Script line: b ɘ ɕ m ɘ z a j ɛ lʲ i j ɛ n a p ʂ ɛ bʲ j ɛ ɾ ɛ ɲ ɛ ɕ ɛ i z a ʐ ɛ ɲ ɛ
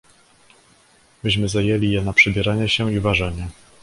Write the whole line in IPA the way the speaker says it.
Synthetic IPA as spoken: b ɘ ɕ m ɘ z a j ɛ lʲ i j ɛ n a p ʂ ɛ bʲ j ɛ ɾ a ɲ ɛ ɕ ɛ i v a ʐ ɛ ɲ ɛ